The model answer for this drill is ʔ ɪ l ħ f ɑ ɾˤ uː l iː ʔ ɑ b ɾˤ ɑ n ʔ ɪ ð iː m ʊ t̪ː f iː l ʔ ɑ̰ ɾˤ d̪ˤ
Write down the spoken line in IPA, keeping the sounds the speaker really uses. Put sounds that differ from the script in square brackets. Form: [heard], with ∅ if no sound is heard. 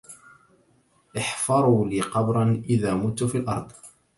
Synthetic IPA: ʔ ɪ [∅] ħ f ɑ ɾˤ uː l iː [q] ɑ b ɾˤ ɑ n ʔ ɪ ð [aː] m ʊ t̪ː f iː l ʔ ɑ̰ ɾˤ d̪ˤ

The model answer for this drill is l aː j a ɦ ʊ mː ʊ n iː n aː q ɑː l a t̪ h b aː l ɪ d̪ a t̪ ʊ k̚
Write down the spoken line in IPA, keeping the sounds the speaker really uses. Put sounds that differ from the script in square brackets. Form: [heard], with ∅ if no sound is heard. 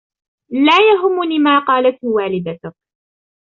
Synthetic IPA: l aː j a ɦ ʊ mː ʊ n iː [m] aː q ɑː l a t̪ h [w] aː l ɪ d̪ a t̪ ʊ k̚

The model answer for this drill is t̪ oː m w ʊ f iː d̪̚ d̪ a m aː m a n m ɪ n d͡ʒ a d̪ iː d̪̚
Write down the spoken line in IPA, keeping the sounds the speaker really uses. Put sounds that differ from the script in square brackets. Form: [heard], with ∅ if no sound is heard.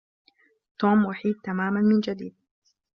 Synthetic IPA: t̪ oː m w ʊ [ħ] iː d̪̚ [t̪] a m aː m a n m ɪ n d͡ʒ a d̪ iː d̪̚

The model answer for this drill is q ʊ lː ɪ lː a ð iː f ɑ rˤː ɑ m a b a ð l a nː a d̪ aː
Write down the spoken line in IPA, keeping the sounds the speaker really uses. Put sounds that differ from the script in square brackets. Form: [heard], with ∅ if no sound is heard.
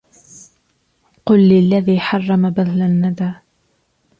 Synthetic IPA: q ʊ lː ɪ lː a ð iː [ħ] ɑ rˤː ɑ m a b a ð l a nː a d̪ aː

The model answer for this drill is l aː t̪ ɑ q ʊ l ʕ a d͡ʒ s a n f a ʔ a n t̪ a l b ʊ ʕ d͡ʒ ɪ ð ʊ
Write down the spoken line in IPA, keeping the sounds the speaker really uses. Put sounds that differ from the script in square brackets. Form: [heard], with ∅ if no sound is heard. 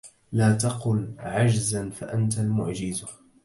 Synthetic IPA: l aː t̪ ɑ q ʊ l ʕ a d͡ʒ [z] a n f a ʔ a n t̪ a l [m] ʊ ʕ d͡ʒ ɪ [z] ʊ

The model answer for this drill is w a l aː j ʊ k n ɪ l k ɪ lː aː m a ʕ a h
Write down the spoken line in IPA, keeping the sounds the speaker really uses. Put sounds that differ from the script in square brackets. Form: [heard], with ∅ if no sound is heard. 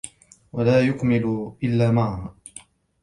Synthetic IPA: w a l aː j ʊ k [m] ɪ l [ʔ] ɪ lː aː m a ʕ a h

